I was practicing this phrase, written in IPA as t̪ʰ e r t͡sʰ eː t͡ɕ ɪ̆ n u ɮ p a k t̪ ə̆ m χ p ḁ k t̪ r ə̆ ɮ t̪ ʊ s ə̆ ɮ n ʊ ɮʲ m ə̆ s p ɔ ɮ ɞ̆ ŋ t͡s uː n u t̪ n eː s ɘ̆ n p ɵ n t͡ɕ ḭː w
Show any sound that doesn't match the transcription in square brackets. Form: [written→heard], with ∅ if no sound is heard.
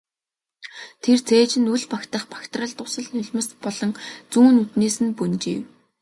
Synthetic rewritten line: t̪ʰ e r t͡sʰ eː t͡ɕ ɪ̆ n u ɮ p a k t̪ ə̆ [m→∅] χ p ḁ k t̪ r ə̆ ɮ t̪ ʊ s ə̆ ɮ n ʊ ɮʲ m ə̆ s p ɔ ɮ ɞ̆ ŋ t͡s uː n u t̪ n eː s ɘ̆ n p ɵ n t͡ɕ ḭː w

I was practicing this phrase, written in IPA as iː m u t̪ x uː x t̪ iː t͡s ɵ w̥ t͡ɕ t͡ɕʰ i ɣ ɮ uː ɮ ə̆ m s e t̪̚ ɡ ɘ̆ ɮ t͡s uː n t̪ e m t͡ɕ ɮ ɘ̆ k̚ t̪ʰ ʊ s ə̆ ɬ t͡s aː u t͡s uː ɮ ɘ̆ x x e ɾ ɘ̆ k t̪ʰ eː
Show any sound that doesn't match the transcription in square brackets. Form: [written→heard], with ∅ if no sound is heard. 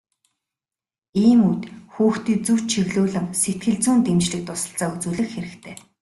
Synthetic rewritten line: iː m u t̪ x uː x t̪ iː t͡s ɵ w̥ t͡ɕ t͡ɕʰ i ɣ ɮ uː ɮ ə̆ m s e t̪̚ ɡ ɘ̆ ɮ t͡s uː n t̪ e m t͡ɕ ɮ ɘ̆ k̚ [t̪ʰ→t̪] ʊ s ə̆ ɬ t͡s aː u t͡s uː ɮ ɘ̆ x x e ɾ ɘ̆ k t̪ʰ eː

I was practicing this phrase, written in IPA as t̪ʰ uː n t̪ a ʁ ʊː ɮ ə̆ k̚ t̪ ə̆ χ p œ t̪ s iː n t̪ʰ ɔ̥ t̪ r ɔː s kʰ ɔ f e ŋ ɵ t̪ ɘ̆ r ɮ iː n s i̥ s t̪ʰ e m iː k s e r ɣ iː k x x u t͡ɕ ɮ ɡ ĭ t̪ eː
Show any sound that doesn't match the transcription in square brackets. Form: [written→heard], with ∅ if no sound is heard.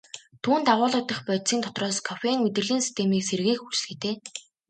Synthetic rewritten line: t̪ʰ uː n t̪ a ʁ ʊː ɮ ə̆ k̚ t̪ ə̆ χ p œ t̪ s iː n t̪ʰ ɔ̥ t̪ r ɔː s kʰ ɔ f e ŋ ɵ t̪ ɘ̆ r ɮ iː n s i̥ s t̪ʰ e m iː k s e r ɣ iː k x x u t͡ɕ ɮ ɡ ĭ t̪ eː

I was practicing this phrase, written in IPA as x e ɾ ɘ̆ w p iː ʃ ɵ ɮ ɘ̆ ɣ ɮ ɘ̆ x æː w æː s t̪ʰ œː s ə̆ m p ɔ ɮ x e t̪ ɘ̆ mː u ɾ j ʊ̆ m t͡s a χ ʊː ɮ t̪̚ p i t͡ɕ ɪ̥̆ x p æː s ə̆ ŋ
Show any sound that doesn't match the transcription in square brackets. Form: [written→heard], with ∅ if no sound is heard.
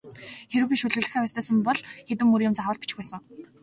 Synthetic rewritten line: x e ɾ ɘ̆ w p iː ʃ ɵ ɮ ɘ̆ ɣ ɮ ɘ̆ x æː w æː s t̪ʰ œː s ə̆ m p ɔ ɮ x e t̪ ɘ̆ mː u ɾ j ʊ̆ m t͡s a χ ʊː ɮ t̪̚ p i t͡ɕ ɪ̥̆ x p æː s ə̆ ŋ

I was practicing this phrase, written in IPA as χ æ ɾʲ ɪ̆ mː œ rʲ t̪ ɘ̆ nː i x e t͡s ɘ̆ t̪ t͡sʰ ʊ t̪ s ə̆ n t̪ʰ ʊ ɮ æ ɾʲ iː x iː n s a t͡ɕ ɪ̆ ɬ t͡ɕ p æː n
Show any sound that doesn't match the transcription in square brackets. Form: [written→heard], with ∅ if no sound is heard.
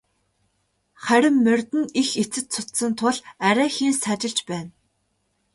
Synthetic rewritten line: χ æ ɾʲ ɪ̆ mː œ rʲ t̪ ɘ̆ [nː→n] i x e t͡s ɘ̆ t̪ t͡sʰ ʊ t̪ s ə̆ n t̪ʰ ʊ ɮ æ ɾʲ [iː→æː] x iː n s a t͡ɕ ɪ̆ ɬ t͡ɕ p æː n

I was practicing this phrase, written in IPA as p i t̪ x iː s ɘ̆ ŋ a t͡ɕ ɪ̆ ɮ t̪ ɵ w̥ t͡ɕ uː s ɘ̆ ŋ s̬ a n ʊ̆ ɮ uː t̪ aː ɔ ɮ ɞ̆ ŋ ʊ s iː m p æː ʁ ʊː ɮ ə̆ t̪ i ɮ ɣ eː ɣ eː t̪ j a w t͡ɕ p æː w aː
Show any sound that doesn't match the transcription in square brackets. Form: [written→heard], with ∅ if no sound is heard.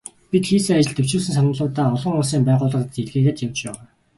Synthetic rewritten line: p i t̪ x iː s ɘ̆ ŋ a t͡ɕ ɪ̆ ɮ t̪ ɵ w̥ t͡ɕ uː s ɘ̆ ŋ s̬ a n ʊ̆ ɮ [uː→ʊː] t̪ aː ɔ ɮ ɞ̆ ŋ ʊ s iː m p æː ʁ ʊː ɮ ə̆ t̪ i ɮ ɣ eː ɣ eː t̪ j a w t͡ɕ p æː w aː

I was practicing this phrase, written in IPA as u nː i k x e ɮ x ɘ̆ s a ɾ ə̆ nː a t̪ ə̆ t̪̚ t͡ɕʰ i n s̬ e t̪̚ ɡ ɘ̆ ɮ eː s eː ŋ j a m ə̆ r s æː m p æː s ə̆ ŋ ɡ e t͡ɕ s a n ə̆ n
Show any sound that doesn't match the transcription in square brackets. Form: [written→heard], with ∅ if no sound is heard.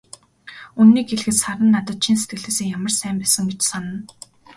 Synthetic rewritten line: u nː [i→iː] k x e ɮ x ɘ̆ s a ɾ ə̆ nː a t̪ ə̆ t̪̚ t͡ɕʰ i n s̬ e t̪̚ ɡ ɘ̆ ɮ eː s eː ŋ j a m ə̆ r s æː m p æː s ə̆ ŋ ɡ e t͡ɕ s a n ə̆ n

